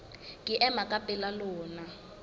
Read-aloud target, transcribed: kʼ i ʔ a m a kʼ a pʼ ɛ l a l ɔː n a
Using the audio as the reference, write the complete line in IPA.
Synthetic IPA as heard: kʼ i ʔ ɛ m a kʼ a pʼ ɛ l a l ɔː n a